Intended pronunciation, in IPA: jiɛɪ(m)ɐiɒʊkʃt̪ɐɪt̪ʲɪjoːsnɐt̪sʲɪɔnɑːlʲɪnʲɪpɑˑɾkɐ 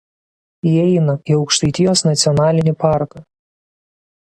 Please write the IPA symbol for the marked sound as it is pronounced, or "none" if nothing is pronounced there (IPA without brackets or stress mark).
n